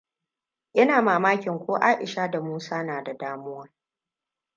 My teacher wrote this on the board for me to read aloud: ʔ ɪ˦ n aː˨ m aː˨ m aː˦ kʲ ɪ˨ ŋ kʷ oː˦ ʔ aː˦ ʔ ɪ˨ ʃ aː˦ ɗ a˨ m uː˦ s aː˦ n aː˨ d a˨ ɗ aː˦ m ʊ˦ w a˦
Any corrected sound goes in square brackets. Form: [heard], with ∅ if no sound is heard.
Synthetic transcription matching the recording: ʔ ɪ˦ n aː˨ m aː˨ m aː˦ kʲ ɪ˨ ŋ kʷ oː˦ ʔ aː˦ ʔ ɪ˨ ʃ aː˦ [d] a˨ m uː˦ s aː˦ n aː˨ d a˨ [d] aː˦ m ʊ˦ w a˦

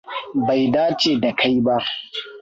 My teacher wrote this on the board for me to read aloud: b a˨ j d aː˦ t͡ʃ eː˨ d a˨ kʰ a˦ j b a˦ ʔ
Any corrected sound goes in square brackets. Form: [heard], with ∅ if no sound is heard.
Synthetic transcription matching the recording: b a˨ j d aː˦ t͡ʃ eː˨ d a˨ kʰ a˦ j b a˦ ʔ

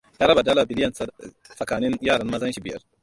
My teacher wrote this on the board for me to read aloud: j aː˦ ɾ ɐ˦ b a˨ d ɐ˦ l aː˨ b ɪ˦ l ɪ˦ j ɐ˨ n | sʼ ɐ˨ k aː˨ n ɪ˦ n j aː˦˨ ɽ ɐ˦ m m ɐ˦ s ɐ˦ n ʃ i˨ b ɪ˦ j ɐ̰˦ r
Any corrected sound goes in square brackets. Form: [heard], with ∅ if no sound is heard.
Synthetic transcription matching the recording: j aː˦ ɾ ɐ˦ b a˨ d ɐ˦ l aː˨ b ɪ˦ l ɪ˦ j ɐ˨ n | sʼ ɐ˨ k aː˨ n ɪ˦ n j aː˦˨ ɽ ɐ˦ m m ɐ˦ [z] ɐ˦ n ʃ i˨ b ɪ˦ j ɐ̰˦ r

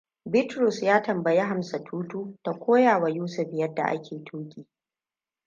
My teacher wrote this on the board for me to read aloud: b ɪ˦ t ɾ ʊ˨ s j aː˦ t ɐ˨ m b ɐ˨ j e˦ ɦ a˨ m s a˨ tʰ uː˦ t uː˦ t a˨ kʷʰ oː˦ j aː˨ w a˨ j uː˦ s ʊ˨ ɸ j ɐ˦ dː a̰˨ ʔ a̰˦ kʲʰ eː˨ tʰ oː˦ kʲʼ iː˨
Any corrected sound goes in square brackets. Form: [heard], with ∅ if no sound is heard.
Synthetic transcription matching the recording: b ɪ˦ t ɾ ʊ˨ s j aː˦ t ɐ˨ m b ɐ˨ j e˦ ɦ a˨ m s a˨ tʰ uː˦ t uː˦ t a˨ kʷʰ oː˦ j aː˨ w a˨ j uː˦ s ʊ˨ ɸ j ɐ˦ dː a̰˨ ʔ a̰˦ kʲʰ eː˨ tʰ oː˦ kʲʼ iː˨

